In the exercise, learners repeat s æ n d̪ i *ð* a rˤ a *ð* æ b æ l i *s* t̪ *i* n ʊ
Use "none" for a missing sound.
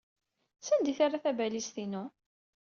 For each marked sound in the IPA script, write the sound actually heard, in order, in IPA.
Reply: θ, θ, s, i

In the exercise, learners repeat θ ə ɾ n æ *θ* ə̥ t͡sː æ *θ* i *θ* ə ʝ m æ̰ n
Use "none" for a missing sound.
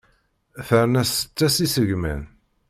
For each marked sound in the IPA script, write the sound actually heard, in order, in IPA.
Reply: s, s, s

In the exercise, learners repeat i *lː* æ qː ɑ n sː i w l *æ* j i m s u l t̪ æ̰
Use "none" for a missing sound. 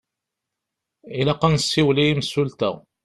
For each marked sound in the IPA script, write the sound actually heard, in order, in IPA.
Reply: l, i

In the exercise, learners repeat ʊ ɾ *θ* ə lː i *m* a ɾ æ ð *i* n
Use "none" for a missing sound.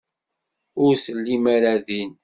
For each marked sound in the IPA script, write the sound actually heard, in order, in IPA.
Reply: s, m, i

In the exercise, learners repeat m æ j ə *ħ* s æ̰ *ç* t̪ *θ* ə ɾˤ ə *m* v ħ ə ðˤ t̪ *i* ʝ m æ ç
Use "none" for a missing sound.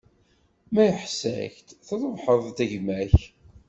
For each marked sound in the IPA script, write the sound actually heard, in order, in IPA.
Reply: ħ, ç, θ, none, æ

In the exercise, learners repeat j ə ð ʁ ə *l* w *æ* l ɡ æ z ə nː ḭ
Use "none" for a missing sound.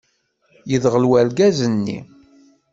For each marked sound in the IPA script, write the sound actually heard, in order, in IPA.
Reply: l, æ

